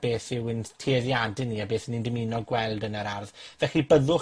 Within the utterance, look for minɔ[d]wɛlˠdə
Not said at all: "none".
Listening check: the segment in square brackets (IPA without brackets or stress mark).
ɡ